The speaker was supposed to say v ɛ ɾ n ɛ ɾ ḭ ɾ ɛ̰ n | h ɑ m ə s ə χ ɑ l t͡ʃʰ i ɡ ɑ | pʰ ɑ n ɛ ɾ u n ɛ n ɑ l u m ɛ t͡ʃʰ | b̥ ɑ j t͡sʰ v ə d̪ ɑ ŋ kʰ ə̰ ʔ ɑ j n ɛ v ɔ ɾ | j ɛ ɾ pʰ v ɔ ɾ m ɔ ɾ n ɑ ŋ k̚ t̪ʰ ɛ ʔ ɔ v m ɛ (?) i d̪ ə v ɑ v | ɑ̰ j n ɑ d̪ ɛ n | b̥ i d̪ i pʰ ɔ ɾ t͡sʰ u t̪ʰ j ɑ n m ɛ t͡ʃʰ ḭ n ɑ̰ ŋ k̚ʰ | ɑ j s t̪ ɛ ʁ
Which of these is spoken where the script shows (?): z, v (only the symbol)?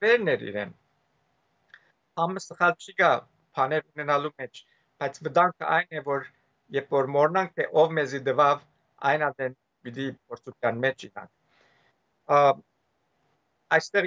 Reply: z